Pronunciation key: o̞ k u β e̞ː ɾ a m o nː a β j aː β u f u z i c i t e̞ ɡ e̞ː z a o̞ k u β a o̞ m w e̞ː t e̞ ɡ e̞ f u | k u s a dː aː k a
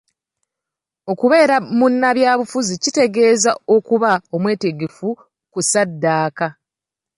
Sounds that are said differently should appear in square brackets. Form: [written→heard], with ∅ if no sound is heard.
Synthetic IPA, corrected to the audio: o̞ k u β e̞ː ɾ a m [o→u] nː a β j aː β u f u z i c i t e̞ ɡ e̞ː z a o̞ k u β a o̞ m w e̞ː t e̞ ɡ e̞ f u | k u s a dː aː k a